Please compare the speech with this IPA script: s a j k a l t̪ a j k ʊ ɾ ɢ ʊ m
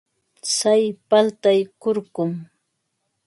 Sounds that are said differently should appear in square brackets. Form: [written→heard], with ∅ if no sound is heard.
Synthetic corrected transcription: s a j [k→p] a l t̪ a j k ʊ ɾ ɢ ʊ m